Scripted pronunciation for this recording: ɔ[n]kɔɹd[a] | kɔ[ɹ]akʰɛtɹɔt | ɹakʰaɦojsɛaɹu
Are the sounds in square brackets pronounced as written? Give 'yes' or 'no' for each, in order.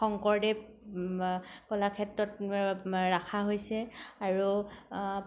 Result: no, no, no

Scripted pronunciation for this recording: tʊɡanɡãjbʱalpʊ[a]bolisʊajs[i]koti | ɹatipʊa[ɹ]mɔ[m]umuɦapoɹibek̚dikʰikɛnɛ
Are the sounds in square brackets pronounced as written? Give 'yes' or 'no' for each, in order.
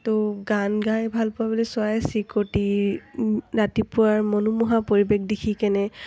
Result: yes, yes, yes, no

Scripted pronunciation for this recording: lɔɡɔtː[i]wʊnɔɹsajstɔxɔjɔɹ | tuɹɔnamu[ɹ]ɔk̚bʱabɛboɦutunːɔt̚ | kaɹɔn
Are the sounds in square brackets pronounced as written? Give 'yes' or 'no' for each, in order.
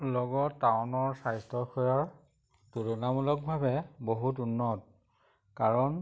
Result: no, no

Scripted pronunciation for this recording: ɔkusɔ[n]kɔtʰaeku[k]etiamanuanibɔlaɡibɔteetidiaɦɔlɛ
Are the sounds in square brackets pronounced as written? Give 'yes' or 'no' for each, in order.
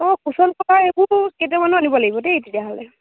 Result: yes, yes

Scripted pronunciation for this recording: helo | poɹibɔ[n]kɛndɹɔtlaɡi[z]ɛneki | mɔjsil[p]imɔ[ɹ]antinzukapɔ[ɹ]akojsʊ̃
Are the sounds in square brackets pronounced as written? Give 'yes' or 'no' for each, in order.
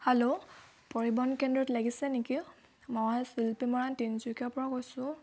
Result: yes, no, yes, yes, yes

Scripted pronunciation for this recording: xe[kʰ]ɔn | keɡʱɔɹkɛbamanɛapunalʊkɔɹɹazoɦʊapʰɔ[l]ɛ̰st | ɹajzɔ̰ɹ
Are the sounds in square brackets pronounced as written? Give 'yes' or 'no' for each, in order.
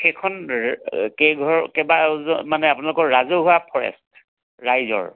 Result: yes, no

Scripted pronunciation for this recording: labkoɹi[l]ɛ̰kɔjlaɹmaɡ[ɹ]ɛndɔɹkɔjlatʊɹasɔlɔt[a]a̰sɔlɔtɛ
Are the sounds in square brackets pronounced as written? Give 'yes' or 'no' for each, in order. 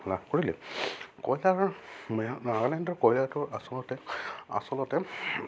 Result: yes, no, no

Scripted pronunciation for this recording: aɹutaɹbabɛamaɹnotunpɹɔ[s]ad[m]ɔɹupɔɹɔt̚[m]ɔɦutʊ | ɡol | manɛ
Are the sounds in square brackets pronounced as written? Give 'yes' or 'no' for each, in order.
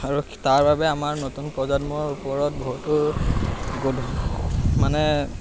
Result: no, yes, no

